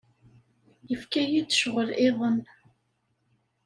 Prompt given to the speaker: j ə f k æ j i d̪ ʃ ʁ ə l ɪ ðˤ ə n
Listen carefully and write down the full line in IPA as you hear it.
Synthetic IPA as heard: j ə f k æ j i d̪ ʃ ʁ ə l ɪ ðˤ ə n